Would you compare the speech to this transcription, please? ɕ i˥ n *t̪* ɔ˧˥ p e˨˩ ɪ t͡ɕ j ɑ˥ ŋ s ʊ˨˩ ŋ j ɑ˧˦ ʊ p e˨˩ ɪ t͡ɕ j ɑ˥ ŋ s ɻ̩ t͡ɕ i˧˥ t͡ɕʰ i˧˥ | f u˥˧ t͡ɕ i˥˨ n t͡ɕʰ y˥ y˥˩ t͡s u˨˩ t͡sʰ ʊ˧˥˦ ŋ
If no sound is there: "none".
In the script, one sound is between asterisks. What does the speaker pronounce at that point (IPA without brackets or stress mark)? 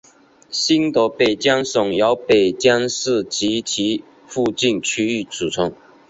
t̪